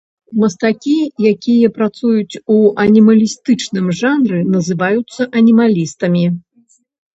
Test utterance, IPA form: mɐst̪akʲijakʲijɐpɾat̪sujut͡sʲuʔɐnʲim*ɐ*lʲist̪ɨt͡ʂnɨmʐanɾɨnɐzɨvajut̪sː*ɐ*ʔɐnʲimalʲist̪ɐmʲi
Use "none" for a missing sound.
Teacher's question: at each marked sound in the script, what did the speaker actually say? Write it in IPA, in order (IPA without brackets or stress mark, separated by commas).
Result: ɐ, ɐ